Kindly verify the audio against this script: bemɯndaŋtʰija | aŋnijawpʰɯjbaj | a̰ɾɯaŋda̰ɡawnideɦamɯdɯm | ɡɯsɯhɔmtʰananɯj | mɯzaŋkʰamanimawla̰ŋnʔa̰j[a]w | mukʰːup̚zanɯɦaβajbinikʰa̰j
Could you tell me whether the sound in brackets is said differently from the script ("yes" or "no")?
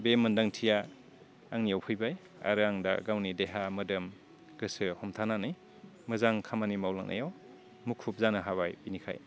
no